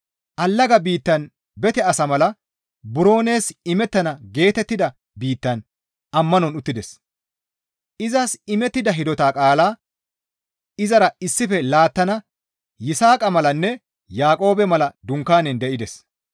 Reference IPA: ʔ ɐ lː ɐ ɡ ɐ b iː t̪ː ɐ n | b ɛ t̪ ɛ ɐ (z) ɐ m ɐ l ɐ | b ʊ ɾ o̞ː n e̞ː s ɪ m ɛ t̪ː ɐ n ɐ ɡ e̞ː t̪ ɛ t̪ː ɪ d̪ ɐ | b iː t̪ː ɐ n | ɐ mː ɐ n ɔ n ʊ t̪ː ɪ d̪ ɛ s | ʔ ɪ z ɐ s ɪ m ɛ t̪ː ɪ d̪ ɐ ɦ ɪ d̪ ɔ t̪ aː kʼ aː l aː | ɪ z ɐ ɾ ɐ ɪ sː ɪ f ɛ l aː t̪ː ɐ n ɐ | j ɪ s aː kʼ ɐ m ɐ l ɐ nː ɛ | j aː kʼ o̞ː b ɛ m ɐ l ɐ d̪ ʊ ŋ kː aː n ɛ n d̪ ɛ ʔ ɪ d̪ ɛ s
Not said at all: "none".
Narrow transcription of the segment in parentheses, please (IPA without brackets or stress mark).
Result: s